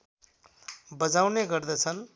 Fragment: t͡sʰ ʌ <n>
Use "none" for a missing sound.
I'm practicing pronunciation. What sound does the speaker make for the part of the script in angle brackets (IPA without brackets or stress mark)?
n